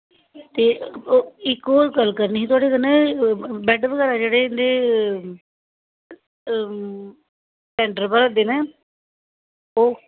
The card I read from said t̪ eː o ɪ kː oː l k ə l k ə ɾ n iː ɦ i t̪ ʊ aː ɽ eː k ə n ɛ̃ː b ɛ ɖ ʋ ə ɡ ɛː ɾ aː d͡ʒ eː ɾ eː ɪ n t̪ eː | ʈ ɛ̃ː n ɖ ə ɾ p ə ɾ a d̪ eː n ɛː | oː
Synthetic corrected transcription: t̪ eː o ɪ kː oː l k ə l k ə ɾ n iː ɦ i t̪ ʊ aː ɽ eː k ə n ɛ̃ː b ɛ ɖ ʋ ə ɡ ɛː ɾ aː d͡ʒ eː ɽ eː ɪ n d̪ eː | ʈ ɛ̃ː ɳ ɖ ə ɾ p ə ɾ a d̪ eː n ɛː | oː